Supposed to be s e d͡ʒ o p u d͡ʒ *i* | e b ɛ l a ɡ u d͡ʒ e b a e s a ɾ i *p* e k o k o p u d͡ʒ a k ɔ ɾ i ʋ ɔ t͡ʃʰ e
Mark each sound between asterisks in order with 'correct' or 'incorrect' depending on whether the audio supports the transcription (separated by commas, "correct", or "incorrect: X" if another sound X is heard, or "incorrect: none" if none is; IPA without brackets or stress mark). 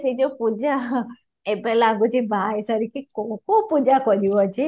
incorrect: a, incorrect: k